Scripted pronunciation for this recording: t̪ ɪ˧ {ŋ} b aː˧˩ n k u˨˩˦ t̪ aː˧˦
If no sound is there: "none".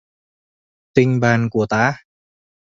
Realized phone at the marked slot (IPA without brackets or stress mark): ŋ